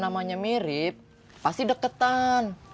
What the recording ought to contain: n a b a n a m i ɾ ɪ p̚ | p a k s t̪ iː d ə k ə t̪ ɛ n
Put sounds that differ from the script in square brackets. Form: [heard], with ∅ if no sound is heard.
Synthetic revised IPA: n a [m] a [ɲ] a m i ɾ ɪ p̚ | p a [∅] s t̪ [i] d ə k ə t̪ [a] n